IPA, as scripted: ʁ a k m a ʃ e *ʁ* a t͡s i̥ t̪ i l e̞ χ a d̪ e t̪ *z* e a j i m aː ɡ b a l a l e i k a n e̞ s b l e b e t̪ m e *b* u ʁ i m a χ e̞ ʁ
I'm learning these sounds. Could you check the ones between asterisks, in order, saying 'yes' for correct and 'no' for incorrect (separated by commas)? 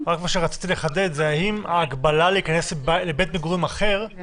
yes, yes, no